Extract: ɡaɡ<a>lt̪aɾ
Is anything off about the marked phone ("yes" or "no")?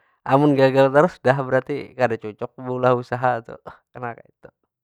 no